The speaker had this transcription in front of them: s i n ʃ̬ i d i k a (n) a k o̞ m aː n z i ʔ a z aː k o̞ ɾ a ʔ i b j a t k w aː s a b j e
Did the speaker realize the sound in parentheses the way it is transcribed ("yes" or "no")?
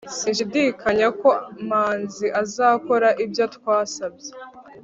no